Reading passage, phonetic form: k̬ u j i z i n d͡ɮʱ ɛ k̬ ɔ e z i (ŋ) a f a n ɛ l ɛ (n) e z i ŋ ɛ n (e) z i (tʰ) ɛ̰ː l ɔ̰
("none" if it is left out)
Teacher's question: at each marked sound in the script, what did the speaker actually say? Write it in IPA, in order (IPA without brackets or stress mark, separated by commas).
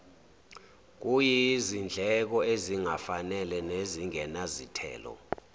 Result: ŋ, n, a, tʰ